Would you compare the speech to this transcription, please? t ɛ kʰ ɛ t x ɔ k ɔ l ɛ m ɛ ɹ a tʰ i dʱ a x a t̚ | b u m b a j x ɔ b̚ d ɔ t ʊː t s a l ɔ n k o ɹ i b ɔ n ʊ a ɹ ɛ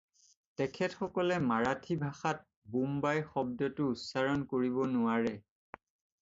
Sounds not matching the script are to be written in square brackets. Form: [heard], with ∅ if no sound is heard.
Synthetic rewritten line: t ɛ kʰ ɛ t x ɔ k ɔ l ɛ m [a] ɹ a tʰ i [bʱ] a x a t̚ | b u m b a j x ɔ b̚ d ɔ t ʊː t s a [ɹ] ɔ n k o ɹ i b ɔ n ʊ a ɹ ɛ

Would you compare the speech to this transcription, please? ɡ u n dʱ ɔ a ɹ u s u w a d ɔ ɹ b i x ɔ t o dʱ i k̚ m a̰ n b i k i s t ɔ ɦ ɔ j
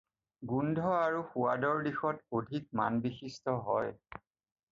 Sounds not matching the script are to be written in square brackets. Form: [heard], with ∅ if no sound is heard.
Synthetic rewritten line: ɡ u n dʱ ɔ a ɹ u [x] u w a d ɔ ɹ [d] i x ɔ t o dʱ i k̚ m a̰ n b i [x] i s t ɔ ɦ ɔ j

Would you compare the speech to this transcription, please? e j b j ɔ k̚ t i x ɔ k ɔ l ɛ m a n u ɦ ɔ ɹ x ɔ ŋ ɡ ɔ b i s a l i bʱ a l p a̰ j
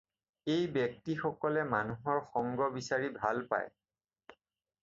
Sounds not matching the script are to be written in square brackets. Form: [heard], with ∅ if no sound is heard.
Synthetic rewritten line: e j b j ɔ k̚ t i x ɔ k ɔ l ɛ m a n u ɦ ɔ ɹ x ɔ ŋ ɡ ɔ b i s a [ɹ] i bʱ a l p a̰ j

